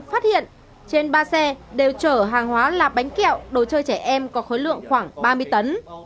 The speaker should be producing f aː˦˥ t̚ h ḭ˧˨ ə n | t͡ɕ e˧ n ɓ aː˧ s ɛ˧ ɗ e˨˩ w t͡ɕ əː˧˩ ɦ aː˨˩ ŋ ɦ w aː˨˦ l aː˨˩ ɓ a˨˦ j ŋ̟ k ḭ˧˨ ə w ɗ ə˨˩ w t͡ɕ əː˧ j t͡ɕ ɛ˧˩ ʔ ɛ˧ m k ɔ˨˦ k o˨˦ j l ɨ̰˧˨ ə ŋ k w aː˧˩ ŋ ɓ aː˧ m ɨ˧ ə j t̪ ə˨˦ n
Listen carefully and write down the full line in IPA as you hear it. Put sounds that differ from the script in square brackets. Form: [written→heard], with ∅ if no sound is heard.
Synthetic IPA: f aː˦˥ t̚ h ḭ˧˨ ə n | t͡ɕ e˧ n ɓ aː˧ s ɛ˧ ɗ e˨˩ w t͡ɕ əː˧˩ ɦ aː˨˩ ŋ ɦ w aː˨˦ l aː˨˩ ɓ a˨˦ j ŋ̟ k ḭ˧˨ ə w ɗ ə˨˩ w t͡ɕ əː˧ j t͡ɕ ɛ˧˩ ʔ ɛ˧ m k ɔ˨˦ [k→x] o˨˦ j l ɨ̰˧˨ ə ŋ [k→x] w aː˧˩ ŋ ɓ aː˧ m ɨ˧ ə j t̪ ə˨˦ n